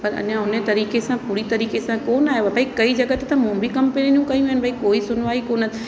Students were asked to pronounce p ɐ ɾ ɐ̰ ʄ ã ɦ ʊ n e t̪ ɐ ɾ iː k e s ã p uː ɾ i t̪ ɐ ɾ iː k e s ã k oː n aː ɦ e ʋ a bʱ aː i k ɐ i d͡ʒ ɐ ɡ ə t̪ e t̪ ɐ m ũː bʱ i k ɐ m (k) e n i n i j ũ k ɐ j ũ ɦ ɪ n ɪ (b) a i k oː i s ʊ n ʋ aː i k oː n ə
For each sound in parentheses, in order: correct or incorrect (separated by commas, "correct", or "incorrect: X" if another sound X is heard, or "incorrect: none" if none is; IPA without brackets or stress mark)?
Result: incorrect: p, correct